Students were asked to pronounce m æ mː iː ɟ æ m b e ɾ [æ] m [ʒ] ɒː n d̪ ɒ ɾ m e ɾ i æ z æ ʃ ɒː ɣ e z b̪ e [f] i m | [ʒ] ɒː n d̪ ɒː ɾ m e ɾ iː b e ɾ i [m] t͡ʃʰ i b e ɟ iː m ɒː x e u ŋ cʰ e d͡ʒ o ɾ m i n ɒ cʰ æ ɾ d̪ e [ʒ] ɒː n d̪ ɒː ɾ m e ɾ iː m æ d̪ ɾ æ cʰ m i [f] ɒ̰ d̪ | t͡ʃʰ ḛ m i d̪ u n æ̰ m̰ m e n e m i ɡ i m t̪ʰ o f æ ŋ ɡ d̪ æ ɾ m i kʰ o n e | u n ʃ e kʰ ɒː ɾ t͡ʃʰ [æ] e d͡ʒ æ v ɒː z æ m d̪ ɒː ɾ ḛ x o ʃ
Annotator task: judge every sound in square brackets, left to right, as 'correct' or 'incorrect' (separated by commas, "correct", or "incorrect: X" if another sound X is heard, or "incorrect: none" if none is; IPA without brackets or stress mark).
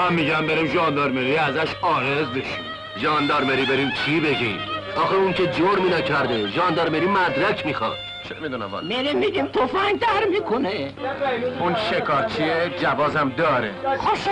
incorrect: i, correct, incorrect: ʃ, correct, correct, correct, incorrect: x, incorrect: i